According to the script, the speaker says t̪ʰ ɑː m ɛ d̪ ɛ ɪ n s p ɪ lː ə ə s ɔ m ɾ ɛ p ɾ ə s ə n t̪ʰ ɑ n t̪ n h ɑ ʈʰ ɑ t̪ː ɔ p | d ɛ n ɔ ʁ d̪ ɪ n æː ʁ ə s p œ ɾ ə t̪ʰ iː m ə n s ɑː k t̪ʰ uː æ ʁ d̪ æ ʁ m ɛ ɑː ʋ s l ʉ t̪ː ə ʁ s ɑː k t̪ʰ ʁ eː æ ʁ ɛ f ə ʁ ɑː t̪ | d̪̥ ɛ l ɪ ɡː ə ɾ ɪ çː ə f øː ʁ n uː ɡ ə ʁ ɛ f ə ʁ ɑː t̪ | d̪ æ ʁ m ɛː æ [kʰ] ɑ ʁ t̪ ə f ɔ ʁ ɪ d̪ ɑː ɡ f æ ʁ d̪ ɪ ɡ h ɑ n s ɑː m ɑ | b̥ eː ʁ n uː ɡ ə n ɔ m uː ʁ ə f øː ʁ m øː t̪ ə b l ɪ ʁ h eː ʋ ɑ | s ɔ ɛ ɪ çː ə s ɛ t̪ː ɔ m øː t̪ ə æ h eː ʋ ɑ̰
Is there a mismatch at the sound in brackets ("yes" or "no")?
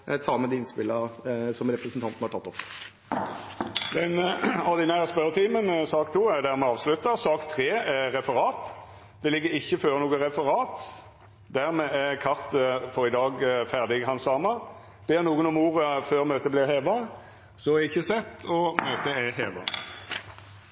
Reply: no